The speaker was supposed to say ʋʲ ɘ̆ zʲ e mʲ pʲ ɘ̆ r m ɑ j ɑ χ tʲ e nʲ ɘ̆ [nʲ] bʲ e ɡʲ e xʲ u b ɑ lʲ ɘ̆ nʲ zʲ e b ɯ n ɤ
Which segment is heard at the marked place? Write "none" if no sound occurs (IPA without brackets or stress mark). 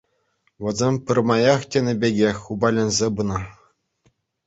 none